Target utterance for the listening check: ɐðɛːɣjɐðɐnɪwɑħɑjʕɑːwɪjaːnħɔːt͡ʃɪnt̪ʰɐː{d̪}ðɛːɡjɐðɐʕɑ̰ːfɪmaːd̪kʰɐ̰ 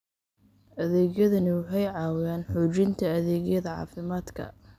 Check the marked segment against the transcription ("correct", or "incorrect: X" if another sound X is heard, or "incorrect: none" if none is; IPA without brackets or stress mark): incorrect: none